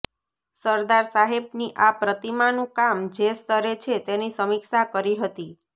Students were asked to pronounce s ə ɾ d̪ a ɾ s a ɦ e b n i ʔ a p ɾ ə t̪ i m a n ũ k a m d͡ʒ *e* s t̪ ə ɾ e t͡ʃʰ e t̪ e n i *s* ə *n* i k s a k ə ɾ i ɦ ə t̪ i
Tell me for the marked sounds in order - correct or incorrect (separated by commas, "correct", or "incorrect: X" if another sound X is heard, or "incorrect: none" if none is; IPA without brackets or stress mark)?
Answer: correct, correct, incorrect: m